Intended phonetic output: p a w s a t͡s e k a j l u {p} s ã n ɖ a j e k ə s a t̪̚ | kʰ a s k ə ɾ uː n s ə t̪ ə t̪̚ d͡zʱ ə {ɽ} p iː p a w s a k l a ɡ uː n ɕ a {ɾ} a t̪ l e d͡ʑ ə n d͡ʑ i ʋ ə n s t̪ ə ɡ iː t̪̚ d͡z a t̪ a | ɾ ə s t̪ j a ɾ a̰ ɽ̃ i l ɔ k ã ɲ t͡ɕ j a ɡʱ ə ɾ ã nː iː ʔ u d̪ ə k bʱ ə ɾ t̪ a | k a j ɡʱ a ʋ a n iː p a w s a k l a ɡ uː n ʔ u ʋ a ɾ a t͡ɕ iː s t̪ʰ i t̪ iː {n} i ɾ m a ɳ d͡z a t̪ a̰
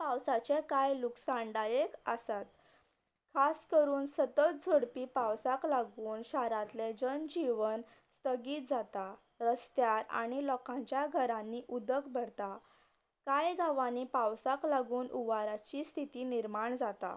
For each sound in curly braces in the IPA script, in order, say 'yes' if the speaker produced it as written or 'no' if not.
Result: no, yes, yes, yes

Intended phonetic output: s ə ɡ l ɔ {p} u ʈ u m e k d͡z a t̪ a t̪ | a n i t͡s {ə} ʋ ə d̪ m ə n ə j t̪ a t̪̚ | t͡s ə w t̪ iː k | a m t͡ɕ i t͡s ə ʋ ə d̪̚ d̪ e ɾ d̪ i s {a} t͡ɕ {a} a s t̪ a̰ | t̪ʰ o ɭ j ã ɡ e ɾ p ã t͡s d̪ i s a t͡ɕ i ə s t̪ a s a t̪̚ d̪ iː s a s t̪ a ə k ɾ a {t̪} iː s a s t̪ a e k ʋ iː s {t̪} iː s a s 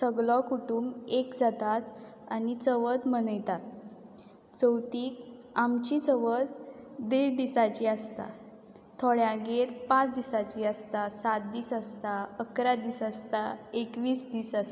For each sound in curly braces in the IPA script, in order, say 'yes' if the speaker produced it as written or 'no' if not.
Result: no, yes, yes, no, no, no

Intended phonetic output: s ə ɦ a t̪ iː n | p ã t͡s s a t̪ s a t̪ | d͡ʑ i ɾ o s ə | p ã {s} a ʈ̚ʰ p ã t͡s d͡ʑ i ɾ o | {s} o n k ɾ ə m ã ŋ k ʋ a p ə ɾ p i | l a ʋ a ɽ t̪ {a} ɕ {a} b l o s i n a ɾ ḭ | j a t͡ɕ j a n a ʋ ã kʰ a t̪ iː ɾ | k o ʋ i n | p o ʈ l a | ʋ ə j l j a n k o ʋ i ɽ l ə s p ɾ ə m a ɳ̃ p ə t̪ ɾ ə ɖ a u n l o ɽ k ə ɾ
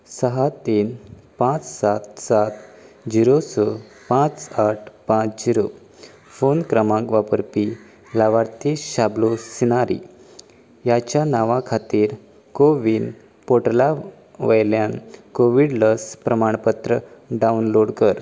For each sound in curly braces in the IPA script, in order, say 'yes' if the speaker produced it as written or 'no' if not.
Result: no, no, no, yes

